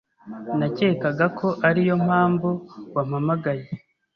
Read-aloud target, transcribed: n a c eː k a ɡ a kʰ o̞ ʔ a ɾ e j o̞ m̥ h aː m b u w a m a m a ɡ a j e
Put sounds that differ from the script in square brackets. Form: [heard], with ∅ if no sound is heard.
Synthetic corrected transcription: n a c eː k a ɡ a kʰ o̞ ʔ a ɾ [i] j o̞ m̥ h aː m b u w a m a m a ɡ a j e